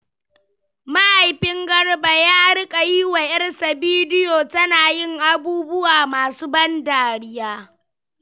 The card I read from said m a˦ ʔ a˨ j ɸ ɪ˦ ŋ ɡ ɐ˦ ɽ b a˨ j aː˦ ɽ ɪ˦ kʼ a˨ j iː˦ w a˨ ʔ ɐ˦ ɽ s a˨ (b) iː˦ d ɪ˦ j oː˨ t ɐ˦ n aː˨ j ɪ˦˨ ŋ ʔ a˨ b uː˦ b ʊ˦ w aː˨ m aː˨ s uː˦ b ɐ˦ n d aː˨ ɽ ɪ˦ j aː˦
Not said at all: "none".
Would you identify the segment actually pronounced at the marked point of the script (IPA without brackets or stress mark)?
b